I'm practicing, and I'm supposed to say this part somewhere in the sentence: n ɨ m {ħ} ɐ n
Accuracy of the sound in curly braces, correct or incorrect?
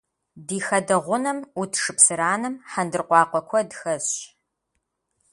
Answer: correct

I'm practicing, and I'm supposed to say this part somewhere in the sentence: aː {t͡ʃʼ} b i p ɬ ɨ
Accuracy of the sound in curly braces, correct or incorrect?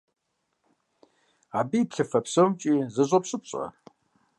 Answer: incorrect: none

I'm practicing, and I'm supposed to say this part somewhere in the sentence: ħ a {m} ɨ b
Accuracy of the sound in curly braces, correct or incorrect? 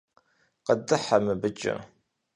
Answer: correct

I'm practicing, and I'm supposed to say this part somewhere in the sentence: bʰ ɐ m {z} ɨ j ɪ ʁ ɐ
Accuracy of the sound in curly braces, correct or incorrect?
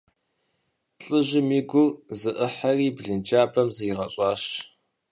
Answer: correct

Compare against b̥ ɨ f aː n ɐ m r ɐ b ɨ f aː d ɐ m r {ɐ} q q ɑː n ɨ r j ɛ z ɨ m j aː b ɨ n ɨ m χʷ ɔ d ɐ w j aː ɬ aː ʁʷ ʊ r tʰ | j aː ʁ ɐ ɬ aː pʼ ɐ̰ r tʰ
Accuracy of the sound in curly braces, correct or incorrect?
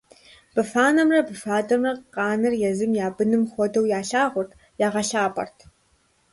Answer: correct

